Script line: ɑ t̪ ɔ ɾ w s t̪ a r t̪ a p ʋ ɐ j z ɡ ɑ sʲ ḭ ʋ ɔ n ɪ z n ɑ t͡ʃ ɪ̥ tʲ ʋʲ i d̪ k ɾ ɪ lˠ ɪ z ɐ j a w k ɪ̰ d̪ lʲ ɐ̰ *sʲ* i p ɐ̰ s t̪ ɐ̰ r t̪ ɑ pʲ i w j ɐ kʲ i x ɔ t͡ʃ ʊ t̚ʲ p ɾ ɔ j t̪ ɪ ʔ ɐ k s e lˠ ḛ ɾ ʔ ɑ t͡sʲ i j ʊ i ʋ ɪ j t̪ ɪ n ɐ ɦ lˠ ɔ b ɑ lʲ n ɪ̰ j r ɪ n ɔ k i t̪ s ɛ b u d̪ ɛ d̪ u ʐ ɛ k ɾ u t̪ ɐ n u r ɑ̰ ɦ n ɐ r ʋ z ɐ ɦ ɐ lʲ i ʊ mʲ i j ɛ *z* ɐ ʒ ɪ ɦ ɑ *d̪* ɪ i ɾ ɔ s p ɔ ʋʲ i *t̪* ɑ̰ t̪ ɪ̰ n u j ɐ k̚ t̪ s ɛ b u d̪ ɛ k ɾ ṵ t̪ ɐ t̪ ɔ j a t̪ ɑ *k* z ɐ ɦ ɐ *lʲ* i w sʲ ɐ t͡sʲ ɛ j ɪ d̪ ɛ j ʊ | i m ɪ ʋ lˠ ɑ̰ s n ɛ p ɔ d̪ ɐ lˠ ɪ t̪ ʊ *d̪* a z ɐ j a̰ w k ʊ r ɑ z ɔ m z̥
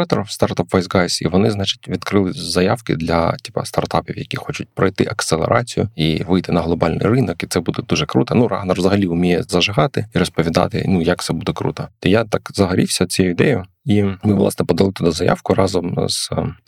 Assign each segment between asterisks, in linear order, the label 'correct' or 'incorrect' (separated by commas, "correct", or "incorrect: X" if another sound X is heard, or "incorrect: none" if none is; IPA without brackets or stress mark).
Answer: incorrect: tʲ, correct, incorrect: t̪, incorrect: d̪, correct, incorrect: ɾʲ, correct